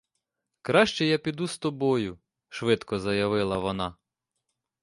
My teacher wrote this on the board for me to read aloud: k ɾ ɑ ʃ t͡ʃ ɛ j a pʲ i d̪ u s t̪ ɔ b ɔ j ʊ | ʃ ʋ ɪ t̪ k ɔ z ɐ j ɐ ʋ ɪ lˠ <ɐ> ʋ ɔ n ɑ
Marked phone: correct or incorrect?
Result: correct